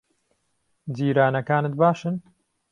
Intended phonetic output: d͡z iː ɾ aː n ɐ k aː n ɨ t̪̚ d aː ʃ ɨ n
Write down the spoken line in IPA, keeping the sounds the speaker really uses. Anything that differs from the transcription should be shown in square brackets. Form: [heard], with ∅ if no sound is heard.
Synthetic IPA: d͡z iː ɾ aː n ɐ k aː n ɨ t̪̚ [b] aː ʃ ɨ n